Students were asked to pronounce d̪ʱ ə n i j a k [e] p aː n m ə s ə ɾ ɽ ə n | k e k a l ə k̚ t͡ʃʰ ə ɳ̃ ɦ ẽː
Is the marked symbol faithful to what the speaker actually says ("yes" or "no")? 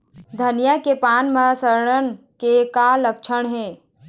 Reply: yes